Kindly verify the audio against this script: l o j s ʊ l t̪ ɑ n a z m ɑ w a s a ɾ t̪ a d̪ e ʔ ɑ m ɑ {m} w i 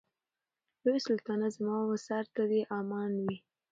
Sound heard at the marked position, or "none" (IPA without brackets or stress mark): n